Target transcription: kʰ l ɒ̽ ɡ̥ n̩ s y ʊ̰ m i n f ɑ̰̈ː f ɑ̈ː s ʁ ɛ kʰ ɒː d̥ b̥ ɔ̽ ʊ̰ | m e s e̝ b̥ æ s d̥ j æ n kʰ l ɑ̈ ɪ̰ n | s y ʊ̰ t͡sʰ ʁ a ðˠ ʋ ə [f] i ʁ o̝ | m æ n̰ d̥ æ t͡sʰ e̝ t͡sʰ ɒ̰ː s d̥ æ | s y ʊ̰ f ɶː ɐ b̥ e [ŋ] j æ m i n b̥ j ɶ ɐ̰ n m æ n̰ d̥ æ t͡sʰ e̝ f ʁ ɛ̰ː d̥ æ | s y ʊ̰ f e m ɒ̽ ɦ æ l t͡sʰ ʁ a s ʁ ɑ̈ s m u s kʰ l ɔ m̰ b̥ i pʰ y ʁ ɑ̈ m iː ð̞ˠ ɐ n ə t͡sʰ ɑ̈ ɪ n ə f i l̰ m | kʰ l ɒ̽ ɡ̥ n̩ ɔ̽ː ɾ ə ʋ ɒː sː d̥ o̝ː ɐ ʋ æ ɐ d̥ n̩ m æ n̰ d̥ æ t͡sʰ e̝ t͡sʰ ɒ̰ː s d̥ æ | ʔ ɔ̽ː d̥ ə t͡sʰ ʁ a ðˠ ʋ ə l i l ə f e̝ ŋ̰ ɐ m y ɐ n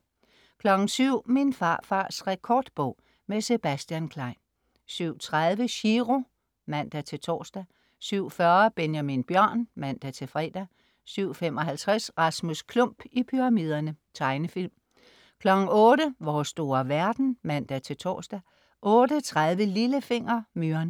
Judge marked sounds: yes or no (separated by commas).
no, no